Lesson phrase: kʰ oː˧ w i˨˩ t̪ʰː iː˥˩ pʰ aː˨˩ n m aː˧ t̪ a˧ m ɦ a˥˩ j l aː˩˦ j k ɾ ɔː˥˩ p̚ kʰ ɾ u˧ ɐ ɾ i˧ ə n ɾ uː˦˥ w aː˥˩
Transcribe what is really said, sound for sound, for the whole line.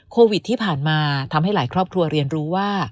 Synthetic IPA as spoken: kʰ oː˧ w i˨˩ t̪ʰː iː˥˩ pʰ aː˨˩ n m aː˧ t̪ʰ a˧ m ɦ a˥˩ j l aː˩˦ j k ɾ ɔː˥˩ p̚ kʰ ɾ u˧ ɐ ɾ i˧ ə n ɾ uː˦˥ w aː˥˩